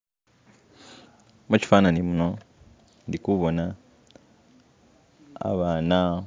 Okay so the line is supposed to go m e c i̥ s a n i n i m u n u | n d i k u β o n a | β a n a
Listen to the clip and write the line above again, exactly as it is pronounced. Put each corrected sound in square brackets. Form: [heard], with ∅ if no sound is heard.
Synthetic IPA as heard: m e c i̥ [f] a n [a] n i m u n [o] | n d i k u β o n a | β a n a